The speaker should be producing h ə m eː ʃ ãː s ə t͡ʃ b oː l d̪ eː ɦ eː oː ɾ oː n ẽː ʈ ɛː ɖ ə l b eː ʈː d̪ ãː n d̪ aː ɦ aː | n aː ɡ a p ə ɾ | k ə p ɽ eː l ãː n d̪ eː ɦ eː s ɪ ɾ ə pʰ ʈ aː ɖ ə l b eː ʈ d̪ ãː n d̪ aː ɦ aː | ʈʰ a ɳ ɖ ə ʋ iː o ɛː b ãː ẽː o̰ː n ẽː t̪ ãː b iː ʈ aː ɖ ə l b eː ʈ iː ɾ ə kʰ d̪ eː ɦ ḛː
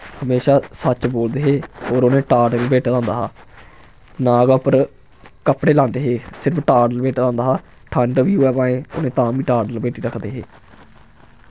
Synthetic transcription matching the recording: h ə m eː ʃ aː s ə t͡ʃ b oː l d̪ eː ɦ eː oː ɾ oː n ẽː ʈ aː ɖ ə l b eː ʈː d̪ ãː n d̪ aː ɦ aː | n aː ɡ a p ə ɾ | k ə p ɽ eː l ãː n d̪ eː ɦ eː s ɪ ɾ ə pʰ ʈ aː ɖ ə l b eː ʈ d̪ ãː n d̪ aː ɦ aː | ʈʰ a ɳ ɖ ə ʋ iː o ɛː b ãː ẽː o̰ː n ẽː t̪ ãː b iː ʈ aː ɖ ə l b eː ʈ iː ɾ ə kʰ d̪ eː ɦ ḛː